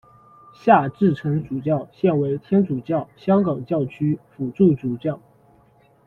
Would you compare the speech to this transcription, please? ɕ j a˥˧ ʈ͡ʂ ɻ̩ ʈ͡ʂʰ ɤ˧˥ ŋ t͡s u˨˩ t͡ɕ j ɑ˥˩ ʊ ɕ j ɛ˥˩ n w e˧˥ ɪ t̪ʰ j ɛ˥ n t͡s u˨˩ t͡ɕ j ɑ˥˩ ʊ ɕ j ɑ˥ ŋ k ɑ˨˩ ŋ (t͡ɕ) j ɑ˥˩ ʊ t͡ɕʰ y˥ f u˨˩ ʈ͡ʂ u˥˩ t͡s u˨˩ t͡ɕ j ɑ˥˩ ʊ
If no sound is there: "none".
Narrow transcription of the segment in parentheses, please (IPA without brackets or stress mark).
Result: t͡ɕ